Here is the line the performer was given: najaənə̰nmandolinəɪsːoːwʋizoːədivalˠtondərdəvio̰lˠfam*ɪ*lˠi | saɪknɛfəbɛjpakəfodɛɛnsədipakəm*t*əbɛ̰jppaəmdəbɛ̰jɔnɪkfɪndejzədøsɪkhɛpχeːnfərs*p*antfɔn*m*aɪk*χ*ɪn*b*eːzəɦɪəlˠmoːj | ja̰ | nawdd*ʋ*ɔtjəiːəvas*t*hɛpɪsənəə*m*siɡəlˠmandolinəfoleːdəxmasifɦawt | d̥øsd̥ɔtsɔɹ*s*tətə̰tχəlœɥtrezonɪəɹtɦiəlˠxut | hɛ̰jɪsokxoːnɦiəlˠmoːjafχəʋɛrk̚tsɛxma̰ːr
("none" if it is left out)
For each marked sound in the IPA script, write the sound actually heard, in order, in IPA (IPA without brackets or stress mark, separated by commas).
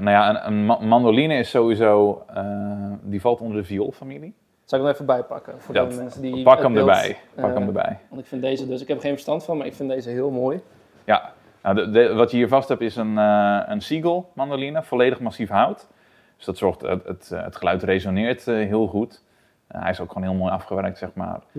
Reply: i, d, t, m, f, d, ʋ, t, n, x